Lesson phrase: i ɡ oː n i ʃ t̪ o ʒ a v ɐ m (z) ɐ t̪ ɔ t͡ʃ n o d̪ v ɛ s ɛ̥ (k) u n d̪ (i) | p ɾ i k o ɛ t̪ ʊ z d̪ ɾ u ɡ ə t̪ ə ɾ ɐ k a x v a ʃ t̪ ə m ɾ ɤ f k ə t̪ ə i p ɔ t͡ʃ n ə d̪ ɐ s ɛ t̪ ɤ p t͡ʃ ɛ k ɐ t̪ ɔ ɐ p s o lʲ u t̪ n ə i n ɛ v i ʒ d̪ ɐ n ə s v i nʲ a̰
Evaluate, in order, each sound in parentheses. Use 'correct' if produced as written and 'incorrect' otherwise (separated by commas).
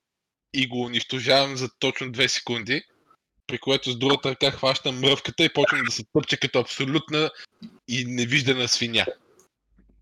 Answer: correct, correct, correct